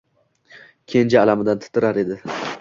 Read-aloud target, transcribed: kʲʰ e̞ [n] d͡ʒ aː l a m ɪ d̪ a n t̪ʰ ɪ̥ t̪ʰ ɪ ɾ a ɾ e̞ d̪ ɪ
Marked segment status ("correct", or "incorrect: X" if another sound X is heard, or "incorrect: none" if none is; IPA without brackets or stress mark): correct